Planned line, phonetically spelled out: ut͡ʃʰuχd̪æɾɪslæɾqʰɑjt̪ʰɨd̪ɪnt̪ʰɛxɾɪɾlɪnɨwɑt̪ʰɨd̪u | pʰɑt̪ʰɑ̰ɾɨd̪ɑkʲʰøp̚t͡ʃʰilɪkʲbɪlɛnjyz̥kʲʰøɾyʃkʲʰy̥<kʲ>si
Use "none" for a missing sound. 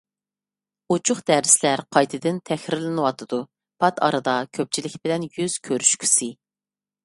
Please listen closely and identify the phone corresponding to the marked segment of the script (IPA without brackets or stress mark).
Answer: none